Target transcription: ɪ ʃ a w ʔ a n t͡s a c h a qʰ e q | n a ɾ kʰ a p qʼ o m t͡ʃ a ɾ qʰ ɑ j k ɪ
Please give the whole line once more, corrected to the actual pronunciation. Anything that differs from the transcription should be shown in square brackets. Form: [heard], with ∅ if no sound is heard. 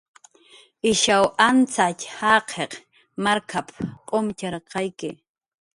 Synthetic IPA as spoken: ɪ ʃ a w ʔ a n t͡s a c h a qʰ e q | [m] a ɾ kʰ a p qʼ o m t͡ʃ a ɾ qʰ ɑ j k ɪ